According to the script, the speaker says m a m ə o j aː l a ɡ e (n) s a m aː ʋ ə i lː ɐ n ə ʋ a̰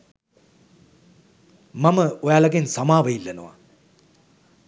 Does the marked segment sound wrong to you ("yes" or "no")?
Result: no